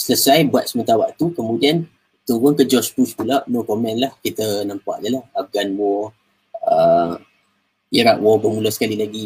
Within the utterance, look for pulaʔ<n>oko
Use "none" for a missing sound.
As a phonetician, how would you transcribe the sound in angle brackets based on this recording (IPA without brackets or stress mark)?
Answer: n